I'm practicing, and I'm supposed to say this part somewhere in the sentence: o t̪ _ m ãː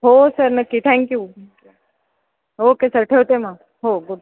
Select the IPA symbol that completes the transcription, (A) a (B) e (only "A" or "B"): B